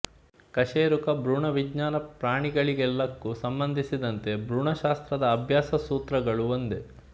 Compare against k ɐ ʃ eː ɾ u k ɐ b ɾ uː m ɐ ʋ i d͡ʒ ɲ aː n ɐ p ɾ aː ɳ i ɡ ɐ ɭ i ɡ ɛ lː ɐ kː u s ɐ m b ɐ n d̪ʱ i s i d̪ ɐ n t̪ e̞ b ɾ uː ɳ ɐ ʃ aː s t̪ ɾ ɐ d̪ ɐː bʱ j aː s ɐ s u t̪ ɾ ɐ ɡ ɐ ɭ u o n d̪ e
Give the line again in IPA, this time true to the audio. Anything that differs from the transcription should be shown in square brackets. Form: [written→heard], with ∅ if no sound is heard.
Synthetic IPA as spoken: k ɐ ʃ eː ɾ u k ɐ b ɾ uː [m→ɳ] ɐ ʋ i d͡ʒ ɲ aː n ɐ p ɾ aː ɳ i ɡ ɐ ɭ i ɡ ɛ lː ɐ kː u s ɐ m b ɐ n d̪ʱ i s i d̪ ɐ n t̪ e̞ b ɾ uː ɳ ɐ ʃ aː s t̪ ɾ ɐ d̪ ɐː bʱ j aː s ɐ s [u→uː] t̪ ɾ ɐ ɡ ɐ ɭ u o n d̪ e

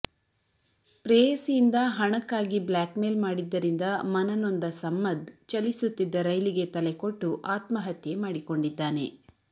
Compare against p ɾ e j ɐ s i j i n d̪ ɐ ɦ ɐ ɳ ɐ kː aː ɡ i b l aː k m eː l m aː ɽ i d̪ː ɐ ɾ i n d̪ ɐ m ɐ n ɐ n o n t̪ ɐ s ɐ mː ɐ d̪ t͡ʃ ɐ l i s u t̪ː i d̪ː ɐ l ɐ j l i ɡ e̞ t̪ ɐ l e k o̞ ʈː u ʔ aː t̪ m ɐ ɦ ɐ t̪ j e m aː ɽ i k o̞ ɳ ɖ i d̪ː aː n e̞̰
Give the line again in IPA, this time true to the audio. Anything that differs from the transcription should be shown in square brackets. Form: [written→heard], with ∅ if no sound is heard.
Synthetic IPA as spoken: p ɾ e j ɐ s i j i n d̪ ɐ ɦ ɐ ɳ ɐ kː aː ɡ i b l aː k m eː l m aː ɽ i d̪ː ɐ ɾ i n d̪ ɐ m ɐ n ɐ n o n [t̪→d̪] ɐ s ɐ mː ɐ d̪ t͡ʃ ɐ l i s u t̪ː i d̪ː ɐ [l→ɾ] ɐ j l i ɡ e̞ t̪ ɐ l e k o̞ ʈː u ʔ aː t̪ m ɐ ɦ ɐ t̪ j e m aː ɽ i k o̞ ɳ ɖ i d̪ː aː n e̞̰

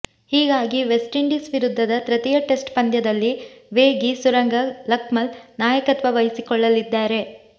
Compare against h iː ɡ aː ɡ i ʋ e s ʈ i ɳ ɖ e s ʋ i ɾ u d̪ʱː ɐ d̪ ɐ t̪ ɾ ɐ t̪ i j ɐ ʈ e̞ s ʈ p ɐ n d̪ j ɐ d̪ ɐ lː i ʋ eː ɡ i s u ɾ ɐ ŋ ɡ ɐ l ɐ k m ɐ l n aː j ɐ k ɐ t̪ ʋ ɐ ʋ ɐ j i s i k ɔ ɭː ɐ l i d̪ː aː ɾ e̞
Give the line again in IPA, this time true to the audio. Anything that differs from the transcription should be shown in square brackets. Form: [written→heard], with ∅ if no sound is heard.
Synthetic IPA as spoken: h iː ɡ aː ɡ i ʋ e s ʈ i ɳ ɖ [e→i] s ʋ i ɾ u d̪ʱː ɐ d̪ ɐ t̪ ɾ ɐ t̪ i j ɐ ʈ e̞ s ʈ p ɐ n d̪ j ɐ d̪ ɐ lː i ʋ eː ɡ i s u ɾ ɐ ŋ ɡ ɐ l ɐ k m ɐ l n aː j ɐ k ɐ t̪ ʋ ɐ ʋ ɐ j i s i k ɔ ɭː ɐ l i d̪ː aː ɾ e̞

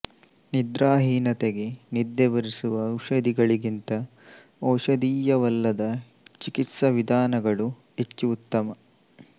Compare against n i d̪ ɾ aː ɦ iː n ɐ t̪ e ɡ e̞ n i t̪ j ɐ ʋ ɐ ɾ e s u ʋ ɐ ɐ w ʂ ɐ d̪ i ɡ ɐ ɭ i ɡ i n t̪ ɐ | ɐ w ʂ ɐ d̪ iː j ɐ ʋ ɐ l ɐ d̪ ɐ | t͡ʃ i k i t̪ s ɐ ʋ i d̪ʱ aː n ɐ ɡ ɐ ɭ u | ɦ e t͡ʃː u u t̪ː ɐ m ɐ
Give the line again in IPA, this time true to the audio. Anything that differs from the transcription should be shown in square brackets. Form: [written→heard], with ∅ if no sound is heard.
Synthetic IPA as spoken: n i d̪ ɾ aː ɦ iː n ɐ t̪ e ɡ e̞ n i [t̪→d̪] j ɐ ʋ ɐ ɾ [e→i] s u ʋ ɐ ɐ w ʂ ɐ d̪ i ɡ ɐ ɭ i ɡ i n t̪ ɐ | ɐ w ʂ ɐ d̪ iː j ɐ ʋ ɐ [l→lː] ɐ d̪ ɐ | t͡ʃ i k i t̪ s ɐ ʋ i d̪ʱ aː n ɐ ɡ ɐ ɭ u | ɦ e t͡ʃː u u t̪ː ɐ m ɐ

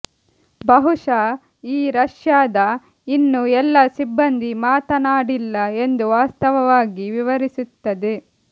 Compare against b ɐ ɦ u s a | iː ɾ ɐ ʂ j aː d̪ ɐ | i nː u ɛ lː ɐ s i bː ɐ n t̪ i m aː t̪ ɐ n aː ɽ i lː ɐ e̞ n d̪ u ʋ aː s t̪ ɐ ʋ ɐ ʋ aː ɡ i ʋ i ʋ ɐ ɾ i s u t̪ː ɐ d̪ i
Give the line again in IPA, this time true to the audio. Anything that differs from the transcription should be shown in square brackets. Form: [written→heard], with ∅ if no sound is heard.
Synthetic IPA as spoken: b ɐ ɦ u [s→ʂ] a | iː ɾ ɐ ʂ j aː d̪ ɐ | i nː u ɛ lː ɐ s i bː ɐ n [t̪→d̪] i m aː t̪ ɐ n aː ɽ i lː ɐ e̞ n d̪ u ʋ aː s t̪ ɐ ʋ ɐ ʋ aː ɡ i ʋ i ʋ ɐ ɾ i s u t̪ː ɐ d̪ [i→e]

